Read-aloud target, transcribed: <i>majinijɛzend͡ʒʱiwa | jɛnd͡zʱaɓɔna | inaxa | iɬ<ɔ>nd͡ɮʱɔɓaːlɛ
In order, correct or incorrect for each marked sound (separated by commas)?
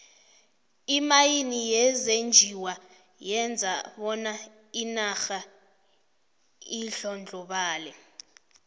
correct, correct